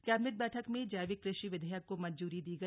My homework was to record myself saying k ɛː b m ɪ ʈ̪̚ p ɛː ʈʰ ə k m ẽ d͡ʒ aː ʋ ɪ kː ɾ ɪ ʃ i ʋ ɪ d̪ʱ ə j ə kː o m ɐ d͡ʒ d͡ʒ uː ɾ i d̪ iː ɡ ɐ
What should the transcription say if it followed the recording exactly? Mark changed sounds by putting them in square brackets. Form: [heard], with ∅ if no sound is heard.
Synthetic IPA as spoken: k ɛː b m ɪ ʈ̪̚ [b] ɛː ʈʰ ə k m ẽ d͡ʒ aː ʋ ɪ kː ɾ ɪ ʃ i ʋ ɪ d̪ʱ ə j ə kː o m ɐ d͡ʒ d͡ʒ uː ɾ i d̪ iː ɡ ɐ